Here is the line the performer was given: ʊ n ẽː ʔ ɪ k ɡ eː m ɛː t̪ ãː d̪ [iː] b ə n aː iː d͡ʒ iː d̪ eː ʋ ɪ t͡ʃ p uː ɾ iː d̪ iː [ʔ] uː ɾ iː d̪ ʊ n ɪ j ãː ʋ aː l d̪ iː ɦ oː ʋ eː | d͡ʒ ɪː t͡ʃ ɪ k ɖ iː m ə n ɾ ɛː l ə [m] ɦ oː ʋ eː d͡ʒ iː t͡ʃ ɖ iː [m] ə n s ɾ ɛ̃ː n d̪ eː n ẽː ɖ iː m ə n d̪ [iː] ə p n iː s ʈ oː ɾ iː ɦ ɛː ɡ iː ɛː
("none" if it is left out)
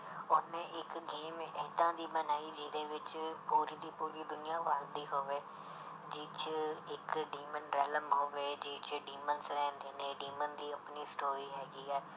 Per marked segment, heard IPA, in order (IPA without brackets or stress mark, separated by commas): iː, p, m, m, iː